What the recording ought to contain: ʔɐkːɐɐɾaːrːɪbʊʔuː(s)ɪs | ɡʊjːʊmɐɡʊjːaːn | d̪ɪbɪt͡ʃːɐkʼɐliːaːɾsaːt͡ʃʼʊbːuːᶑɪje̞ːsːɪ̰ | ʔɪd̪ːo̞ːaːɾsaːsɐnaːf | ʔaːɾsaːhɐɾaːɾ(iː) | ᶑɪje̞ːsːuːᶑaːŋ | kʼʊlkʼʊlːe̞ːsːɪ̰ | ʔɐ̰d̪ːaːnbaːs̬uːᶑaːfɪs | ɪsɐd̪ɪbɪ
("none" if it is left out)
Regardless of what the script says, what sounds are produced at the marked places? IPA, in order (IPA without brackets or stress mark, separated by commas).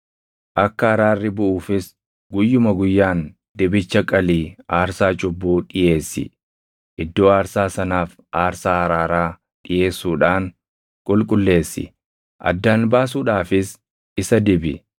f, aː